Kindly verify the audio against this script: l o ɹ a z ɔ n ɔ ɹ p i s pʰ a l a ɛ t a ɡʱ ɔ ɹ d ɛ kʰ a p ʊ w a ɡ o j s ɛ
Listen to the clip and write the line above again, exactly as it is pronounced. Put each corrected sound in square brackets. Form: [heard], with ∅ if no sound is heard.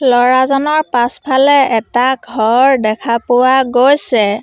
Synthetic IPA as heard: l [ɔ] ɹ a z ɔ n ɔ ɹ p [a] s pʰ a l [ɛ] ɛ t a ɡʱ ɔ ɹ d ɛ kʰ a p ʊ w a ɡ o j s ɛ